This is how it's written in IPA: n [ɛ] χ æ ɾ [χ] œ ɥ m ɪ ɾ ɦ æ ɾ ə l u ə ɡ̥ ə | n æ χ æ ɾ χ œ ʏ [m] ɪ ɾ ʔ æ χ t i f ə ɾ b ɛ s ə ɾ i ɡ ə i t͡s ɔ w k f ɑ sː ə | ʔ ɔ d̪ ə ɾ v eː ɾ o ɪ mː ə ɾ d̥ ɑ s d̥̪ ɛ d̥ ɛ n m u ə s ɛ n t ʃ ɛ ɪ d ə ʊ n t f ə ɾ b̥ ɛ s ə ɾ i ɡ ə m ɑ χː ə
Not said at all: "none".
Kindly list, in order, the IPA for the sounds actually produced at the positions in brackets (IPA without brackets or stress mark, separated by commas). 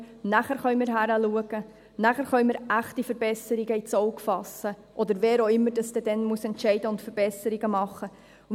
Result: æ, χ, m